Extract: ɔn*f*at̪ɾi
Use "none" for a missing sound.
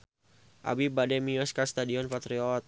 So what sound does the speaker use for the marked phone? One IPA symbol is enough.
f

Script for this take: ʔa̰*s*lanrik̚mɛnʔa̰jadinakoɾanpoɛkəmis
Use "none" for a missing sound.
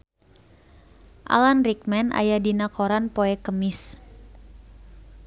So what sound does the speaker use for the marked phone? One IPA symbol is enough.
none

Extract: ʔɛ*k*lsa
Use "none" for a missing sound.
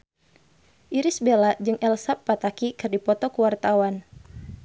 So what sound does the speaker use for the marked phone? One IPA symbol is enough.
none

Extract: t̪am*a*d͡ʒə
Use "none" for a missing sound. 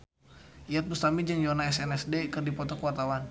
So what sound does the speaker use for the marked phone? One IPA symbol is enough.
i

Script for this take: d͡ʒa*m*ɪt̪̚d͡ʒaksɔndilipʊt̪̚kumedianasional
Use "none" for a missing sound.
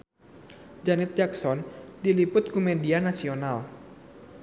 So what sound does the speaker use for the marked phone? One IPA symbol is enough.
n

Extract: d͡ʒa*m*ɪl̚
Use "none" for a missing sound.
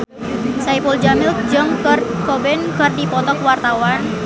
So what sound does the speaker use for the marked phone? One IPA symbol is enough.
m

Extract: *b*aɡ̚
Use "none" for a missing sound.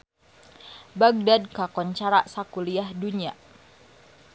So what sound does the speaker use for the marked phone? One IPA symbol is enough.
b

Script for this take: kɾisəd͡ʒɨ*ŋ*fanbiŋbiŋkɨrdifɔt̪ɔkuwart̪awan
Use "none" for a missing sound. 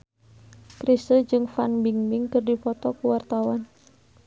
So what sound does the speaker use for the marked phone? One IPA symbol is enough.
ŋ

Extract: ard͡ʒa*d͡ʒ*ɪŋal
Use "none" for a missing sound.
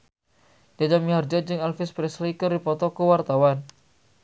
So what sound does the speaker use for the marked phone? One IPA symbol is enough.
d͡ʒ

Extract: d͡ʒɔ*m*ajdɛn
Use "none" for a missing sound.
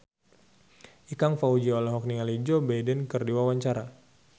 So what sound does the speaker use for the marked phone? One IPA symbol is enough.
b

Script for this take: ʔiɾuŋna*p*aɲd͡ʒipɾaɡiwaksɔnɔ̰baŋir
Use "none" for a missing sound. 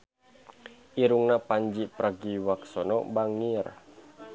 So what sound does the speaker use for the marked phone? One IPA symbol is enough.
p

